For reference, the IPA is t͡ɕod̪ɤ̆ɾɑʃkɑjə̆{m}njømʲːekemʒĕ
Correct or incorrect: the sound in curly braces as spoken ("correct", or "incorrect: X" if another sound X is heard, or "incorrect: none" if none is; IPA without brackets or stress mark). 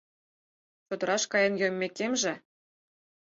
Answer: incorrect: none